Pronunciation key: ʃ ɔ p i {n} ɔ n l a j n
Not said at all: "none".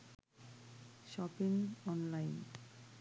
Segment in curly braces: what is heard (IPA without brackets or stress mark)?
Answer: ŋ